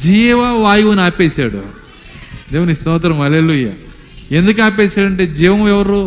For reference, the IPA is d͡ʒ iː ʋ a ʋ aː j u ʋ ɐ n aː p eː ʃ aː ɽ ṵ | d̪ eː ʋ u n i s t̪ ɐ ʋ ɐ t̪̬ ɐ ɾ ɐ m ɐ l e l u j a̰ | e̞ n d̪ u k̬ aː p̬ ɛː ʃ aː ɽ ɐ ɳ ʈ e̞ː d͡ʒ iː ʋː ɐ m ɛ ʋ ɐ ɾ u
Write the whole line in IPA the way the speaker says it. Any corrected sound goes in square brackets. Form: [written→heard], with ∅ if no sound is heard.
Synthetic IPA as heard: d͡ʒ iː ʋ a ʋ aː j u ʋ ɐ n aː p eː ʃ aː ɽ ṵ | d̪ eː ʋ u n i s t̪ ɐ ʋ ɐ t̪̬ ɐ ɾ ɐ m ɐ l e l u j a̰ | e̞ n d̪ u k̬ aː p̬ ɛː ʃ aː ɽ ɐ ɳ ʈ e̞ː d͡ʒ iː [ʋː→ʋ] ɐ m ɛ ʋ ɐ ɾ u